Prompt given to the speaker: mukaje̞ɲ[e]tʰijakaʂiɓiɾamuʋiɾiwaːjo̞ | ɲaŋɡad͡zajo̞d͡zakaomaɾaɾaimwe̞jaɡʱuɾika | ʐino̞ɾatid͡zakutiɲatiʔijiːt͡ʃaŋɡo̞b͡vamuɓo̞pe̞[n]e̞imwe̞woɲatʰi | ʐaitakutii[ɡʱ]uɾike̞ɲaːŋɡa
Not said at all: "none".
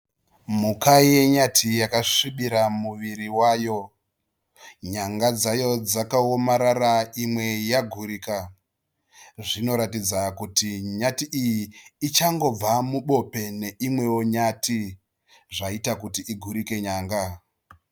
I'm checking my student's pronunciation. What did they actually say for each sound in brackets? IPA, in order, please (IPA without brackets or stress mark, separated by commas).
a, n, ɡʱ